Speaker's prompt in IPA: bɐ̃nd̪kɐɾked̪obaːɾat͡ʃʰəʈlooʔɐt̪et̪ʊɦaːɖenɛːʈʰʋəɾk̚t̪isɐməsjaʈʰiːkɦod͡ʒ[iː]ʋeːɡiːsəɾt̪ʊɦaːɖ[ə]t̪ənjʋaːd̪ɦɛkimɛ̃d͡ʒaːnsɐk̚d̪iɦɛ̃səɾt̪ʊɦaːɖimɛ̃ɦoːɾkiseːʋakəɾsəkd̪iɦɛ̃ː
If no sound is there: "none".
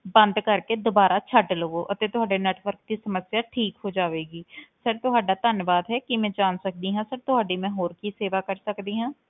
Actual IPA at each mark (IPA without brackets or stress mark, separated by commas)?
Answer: aː, a